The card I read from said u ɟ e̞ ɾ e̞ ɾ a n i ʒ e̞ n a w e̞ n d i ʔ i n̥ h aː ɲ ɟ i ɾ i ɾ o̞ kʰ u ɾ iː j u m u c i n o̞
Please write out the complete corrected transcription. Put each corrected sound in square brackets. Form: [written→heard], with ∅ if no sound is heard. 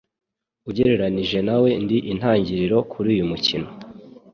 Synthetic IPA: u ɟ e̞ ɾ e̞ ɾ a n i ʒ e̞ n a w e̞ n d i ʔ i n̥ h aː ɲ ɟ i ɾ i ɾ o̞ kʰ u ɾ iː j u m u c i n o̞